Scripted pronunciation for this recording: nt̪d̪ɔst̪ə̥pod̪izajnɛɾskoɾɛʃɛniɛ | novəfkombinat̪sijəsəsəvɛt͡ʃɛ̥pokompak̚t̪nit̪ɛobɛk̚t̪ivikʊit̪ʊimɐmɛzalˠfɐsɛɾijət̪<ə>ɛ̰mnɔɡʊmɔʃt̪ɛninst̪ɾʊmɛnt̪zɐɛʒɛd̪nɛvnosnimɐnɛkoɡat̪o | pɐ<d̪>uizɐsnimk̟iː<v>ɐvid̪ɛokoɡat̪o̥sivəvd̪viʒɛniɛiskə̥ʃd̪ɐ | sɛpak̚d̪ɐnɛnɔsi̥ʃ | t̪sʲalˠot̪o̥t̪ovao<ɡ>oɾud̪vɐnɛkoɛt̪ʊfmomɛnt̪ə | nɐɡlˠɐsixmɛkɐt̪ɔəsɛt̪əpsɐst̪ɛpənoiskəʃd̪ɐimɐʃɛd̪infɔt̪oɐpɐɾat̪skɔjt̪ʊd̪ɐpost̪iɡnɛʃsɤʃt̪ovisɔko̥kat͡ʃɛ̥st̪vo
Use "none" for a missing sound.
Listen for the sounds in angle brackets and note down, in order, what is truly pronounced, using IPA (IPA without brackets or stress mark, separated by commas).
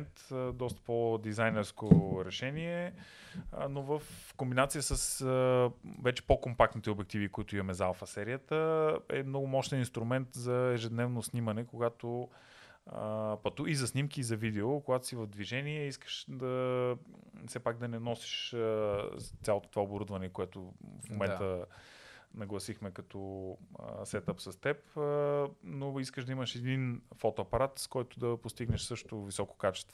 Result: ə, t̪, z, b